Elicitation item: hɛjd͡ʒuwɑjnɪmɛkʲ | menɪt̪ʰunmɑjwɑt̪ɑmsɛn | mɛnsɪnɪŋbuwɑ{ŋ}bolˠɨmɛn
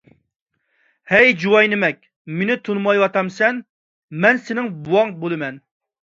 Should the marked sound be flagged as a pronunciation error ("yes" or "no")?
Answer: no